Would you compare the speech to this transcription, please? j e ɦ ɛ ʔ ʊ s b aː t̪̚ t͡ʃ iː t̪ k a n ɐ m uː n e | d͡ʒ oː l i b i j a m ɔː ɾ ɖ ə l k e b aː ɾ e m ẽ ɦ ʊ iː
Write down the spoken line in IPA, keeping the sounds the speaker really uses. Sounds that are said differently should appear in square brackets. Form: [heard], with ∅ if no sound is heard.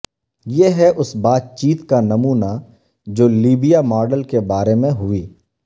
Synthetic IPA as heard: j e ɦ ɛ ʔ ʊ s b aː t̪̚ t͡ʃ iː t̪ k a n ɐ m uː n [a] | d͡ʒ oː l [iː] b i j a m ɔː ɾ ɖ ə l k e b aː ɾ e m ẽ ɦ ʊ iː